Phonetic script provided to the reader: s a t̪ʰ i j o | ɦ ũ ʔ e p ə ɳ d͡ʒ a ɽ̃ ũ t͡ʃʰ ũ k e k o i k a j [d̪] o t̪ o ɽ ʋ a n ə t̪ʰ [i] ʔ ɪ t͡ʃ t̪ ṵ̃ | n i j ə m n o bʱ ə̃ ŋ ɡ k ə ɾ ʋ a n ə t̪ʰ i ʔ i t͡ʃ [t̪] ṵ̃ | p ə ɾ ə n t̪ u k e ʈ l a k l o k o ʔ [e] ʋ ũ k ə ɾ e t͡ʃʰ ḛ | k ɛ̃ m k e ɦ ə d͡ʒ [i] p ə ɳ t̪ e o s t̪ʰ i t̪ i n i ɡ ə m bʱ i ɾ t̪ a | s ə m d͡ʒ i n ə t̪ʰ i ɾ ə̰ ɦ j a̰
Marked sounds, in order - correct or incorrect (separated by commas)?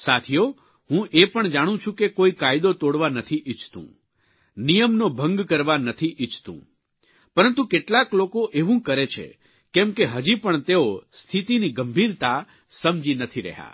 correct, correct, correct, correct, correct